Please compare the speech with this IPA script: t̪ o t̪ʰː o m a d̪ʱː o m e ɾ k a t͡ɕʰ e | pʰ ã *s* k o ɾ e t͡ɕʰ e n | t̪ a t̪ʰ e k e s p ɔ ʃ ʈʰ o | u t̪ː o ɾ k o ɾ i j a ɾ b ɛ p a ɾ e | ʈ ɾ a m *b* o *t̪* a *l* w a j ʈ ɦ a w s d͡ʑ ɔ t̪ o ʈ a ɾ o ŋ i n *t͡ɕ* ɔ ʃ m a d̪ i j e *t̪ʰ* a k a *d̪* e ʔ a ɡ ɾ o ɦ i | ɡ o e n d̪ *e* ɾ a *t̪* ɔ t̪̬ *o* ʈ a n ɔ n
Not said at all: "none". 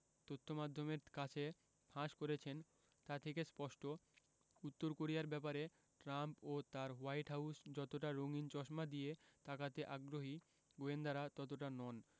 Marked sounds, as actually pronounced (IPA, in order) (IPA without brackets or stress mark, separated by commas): ʃ, p, t̪, ɾ, t͡ɕ, t̪, t̪, a, t̪, o